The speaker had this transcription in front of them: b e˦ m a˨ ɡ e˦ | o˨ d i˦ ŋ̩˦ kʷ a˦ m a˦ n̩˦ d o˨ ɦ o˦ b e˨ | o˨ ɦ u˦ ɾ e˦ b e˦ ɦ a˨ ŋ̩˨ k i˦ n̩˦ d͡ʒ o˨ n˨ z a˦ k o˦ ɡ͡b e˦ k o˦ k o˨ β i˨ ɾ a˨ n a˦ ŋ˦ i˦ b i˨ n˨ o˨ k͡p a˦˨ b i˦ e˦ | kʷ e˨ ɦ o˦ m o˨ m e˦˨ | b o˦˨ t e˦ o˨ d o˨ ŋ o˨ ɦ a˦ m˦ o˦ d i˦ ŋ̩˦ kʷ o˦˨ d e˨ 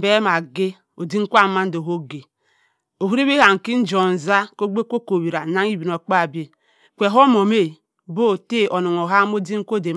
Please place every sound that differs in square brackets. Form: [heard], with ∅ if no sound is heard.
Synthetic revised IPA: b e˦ m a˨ ɡ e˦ | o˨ d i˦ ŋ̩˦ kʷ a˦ m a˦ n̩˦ d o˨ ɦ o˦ [ɡ] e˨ | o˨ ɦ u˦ ɾ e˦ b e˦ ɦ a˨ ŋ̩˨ k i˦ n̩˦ d͡ʒ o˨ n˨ z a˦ k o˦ ɡ͡b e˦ k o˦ k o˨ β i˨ ɾ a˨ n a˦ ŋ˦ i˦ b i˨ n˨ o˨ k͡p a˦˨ b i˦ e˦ | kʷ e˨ ɦ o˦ m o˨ m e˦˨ | b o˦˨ t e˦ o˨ [n] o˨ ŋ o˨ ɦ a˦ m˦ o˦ d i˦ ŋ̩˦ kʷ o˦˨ d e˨